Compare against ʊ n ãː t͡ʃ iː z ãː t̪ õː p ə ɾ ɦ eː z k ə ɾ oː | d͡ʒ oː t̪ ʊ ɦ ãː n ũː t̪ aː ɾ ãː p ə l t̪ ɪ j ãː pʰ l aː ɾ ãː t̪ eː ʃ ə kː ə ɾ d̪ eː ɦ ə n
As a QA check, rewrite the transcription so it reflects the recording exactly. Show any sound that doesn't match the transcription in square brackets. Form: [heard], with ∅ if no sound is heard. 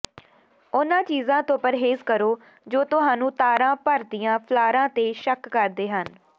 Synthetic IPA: ʊ n ãː t͡ʃ iː z ãː t̪ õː p ə ɾ ɦ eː z k ə ɾ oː | d͡ʒ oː t̪ ʊ ɦ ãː n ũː t̪ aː ɾ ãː p ə [ɾ] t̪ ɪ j ãː pʰ l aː ɾ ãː t̪ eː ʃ ə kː ə ɾ d̪ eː ɦ ə n